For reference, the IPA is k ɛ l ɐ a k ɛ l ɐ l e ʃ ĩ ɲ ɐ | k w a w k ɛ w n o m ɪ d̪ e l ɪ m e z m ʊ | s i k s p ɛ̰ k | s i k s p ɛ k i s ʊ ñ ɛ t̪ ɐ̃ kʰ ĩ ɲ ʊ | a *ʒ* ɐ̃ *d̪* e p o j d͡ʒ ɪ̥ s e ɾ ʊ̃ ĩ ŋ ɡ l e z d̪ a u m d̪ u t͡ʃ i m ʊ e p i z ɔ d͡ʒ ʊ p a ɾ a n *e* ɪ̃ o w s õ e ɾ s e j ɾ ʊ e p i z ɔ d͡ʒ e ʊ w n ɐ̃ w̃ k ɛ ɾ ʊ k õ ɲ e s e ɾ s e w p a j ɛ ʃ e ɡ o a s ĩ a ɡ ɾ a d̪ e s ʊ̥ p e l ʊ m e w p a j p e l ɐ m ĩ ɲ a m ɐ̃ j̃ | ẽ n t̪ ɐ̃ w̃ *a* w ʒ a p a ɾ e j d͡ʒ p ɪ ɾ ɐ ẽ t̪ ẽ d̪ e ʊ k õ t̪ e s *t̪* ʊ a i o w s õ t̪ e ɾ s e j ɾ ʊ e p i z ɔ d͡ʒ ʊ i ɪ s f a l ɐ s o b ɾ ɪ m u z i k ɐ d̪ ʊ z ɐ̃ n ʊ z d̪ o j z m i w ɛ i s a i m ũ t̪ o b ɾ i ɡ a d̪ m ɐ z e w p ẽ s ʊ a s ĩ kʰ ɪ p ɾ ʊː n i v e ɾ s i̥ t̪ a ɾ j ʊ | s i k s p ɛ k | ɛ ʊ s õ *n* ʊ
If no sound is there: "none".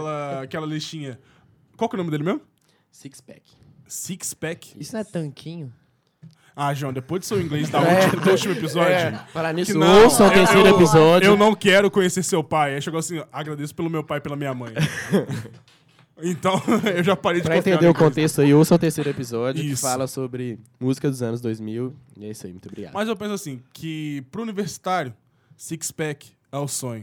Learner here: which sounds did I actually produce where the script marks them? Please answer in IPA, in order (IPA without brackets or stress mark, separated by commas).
ʒ, d̪, i, e, t̪, ɲ